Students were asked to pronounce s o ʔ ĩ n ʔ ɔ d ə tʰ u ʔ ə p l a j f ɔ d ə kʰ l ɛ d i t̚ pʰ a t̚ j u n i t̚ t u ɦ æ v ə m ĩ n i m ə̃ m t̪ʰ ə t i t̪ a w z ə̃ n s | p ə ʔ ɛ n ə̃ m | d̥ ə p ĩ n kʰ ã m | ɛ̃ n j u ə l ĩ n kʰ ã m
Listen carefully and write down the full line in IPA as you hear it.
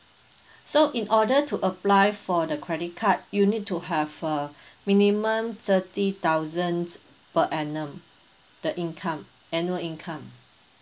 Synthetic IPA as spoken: s o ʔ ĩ n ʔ ɔ d ə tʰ u ʔ ə p l a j f ɔ d ə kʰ ɹ ɛ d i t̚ kʰ a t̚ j u n i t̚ t u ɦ ɛ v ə m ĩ n i m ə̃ m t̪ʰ ə t i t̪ a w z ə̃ n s | p ə ʔ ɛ n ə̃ m | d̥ ə ʔ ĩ n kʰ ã m | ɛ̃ n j u ə l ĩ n kʰ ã m